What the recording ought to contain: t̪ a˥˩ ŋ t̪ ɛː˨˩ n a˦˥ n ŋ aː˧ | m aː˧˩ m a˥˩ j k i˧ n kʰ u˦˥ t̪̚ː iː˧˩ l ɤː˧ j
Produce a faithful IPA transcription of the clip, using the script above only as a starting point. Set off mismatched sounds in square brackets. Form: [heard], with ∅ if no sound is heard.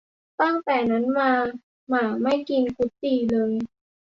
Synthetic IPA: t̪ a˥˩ ŋ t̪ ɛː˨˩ n a˦˥ n [m] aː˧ | m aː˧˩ m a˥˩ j k i˧ n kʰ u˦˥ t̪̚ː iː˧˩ l ɤː˧ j